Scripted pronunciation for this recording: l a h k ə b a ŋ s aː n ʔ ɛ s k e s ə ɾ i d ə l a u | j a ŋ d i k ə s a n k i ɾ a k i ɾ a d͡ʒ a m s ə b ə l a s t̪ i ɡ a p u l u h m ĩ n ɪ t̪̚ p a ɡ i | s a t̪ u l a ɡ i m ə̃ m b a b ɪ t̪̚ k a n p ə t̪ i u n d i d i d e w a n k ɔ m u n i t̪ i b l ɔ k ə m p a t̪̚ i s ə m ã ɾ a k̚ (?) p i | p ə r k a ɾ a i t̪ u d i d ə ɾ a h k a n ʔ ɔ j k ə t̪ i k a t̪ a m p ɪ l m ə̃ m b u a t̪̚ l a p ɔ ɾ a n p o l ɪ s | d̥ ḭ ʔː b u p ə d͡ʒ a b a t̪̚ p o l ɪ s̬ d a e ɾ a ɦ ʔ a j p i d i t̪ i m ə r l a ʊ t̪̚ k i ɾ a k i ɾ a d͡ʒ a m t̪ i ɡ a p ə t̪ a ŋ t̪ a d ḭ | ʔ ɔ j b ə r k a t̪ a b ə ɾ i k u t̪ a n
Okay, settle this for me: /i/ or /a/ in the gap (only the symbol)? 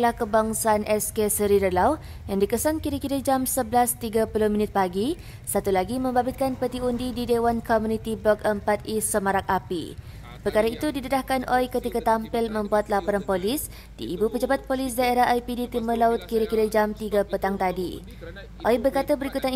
a